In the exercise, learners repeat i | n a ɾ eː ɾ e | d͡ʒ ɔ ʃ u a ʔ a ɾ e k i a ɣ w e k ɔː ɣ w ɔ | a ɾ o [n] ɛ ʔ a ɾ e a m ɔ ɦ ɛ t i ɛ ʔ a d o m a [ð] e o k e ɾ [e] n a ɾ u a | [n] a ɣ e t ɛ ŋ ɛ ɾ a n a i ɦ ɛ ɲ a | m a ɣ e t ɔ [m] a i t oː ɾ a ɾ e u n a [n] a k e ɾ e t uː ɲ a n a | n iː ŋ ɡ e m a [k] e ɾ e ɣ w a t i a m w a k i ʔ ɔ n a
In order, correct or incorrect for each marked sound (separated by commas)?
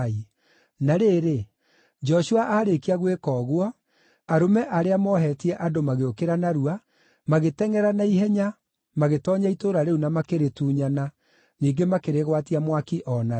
incorrect, incorrect, incorrect, incorrect, incorrect, incorrect, correct